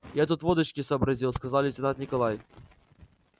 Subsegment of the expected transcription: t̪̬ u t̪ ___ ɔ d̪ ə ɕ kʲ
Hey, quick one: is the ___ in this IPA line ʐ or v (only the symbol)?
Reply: v